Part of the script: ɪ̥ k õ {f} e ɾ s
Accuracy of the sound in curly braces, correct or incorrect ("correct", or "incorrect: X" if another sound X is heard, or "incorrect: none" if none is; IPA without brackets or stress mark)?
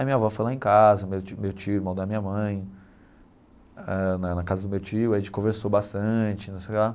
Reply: incorrect: v